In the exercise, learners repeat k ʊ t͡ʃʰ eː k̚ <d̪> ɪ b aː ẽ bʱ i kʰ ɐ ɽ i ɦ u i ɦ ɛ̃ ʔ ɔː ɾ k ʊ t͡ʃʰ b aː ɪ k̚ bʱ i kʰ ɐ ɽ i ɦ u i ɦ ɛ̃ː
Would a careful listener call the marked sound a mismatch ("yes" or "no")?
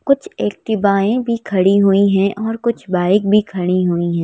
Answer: yes